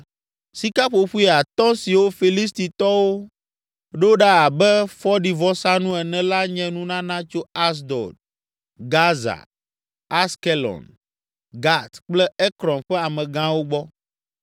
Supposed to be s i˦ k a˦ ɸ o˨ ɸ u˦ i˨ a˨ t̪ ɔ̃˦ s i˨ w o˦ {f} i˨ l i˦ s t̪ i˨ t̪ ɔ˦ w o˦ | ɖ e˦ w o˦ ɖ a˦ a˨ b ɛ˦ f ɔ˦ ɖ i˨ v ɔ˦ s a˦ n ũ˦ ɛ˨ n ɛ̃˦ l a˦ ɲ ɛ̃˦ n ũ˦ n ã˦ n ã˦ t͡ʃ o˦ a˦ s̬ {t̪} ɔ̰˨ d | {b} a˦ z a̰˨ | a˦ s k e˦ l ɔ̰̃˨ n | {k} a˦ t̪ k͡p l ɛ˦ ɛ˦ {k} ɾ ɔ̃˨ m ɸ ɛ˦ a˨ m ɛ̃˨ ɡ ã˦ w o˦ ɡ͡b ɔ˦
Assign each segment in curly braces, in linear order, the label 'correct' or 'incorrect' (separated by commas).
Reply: correct, incorrect, incorrect, incorrect, correct